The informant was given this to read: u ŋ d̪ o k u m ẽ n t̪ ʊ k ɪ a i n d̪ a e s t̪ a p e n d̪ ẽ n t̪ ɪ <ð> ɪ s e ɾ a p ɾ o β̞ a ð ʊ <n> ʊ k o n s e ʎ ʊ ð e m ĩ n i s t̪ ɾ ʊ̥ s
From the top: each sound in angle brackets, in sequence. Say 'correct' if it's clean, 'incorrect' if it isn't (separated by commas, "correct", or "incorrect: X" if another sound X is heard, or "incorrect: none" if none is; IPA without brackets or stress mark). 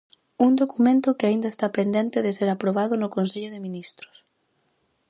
correct, correct